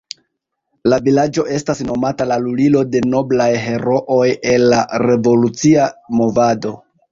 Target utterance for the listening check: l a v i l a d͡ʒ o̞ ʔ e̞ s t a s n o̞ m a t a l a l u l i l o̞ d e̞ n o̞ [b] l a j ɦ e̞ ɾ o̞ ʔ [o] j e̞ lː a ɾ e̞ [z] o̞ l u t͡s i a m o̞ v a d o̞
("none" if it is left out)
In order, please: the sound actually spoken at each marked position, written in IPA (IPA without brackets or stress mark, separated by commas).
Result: b, o, v